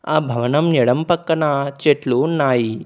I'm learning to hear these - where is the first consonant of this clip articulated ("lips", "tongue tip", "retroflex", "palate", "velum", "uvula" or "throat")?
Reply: lips